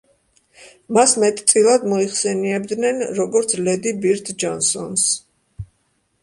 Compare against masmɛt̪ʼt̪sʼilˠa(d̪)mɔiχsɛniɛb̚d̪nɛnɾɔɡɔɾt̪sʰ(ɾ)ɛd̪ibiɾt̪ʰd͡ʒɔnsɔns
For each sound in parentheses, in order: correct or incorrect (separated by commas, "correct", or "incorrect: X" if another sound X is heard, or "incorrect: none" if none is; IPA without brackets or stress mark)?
correct, incorrect: l